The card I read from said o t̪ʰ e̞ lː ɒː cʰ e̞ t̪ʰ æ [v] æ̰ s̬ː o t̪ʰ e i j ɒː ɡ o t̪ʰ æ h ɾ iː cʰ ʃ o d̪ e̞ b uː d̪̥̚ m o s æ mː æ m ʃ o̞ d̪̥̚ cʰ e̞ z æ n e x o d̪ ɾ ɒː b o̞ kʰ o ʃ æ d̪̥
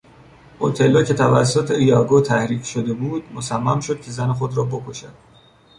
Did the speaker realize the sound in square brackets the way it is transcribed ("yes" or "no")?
yes